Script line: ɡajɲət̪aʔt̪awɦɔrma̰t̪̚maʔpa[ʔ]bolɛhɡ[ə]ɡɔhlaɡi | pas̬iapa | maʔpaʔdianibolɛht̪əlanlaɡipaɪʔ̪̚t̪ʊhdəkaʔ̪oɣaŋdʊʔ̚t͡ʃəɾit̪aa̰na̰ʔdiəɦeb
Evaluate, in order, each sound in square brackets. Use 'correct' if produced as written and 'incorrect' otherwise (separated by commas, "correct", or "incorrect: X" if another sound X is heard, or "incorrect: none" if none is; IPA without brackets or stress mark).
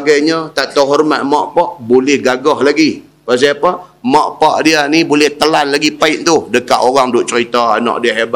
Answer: correct, incorrect: a